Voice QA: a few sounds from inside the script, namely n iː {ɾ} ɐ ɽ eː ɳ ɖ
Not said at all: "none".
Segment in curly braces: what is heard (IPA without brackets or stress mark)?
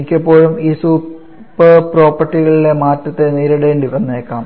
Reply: ɾ